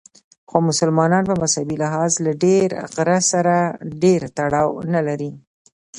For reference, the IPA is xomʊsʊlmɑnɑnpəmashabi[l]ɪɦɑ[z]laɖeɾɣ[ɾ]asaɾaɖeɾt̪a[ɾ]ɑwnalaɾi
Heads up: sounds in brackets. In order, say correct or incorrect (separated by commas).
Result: correct, correct, correct, incorrect